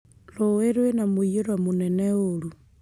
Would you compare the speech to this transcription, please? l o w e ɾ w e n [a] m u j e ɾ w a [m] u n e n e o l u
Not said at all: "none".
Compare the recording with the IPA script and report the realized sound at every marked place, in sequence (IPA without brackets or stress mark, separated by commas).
a, m